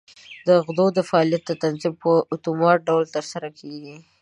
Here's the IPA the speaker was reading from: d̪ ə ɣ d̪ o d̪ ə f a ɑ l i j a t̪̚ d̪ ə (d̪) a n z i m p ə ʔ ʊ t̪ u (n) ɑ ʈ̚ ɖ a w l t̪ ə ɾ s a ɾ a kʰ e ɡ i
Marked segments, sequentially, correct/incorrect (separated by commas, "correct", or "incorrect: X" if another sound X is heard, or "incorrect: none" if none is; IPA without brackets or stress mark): incorrect: t̪, incorrect: m